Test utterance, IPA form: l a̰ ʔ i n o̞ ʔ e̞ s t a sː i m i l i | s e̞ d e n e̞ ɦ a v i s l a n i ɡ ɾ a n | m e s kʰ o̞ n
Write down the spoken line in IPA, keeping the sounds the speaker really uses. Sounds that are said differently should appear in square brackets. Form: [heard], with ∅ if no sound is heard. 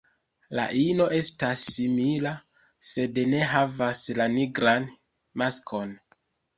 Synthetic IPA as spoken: l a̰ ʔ i n o̞ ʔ e̞ s t a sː i m i l [a] | s e̞ d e n e̞ ɦ a v [a] s l a n i ɡ ɾ a n | m [a] s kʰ o̞ n